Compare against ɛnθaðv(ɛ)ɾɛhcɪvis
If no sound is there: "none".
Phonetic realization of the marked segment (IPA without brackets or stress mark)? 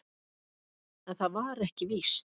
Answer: a